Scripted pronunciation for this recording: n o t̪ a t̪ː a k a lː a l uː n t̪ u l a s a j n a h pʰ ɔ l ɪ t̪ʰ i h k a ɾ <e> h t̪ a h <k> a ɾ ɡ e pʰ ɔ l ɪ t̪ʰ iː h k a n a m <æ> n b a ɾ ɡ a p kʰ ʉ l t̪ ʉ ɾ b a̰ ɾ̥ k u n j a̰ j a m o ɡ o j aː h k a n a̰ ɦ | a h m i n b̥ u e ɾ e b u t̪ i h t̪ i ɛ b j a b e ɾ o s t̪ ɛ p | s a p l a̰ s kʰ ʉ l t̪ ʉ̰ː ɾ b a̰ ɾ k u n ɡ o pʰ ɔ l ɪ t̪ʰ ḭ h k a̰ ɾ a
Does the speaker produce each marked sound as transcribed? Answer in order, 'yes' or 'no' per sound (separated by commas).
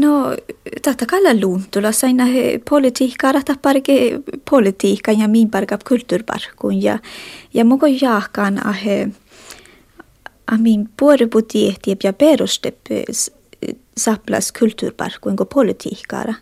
no, no, no